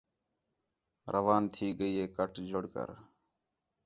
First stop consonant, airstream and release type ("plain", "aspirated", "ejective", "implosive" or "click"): aspirated